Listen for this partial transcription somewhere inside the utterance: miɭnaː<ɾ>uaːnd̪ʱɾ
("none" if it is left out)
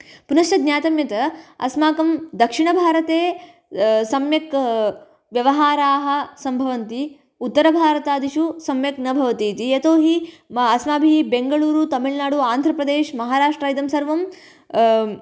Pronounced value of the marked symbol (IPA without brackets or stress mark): ɽ